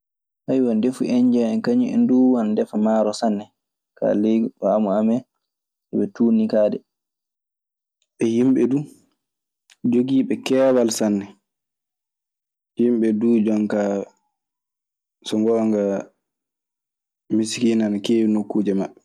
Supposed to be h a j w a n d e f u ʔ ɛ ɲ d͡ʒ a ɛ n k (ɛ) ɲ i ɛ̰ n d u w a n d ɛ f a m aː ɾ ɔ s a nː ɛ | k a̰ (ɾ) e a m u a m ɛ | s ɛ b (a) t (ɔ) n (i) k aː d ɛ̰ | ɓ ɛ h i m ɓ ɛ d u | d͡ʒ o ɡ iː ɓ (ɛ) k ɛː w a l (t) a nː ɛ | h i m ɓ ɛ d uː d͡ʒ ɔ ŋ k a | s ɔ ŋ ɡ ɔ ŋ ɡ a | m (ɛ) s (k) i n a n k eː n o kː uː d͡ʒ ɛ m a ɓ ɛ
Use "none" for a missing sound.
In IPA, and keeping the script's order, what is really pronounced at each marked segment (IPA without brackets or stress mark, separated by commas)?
a, l, ɛ, u, i, ɛ, s, i, k